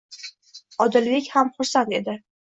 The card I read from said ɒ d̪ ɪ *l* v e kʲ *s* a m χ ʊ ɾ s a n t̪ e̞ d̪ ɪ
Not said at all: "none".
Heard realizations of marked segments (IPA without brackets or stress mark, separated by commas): l, h